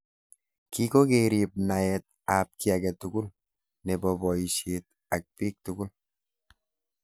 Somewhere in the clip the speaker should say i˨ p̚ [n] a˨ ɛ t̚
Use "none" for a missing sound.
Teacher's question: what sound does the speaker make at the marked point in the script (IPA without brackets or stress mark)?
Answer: n